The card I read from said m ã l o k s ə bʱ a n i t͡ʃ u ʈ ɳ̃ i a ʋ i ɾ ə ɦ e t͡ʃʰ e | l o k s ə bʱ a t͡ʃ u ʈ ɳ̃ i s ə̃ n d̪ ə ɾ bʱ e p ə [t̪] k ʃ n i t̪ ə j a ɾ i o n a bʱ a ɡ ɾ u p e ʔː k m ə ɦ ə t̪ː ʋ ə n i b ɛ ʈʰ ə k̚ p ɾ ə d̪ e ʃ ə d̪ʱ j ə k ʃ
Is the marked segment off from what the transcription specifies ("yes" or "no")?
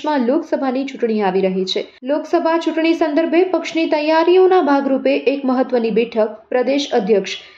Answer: yes